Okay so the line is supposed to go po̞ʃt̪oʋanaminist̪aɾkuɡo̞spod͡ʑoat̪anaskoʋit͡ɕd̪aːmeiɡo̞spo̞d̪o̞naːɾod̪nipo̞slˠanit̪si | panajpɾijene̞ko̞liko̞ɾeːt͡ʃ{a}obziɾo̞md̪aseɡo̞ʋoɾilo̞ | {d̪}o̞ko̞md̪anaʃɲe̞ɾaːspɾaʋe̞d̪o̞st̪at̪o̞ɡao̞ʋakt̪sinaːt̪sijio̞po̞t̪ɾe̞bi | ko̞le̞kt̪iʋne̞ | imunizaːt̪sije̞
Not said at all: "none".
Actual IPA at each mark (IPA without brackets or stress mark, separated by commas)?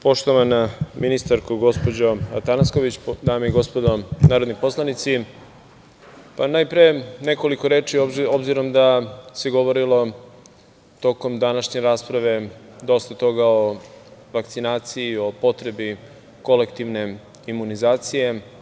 i, t̪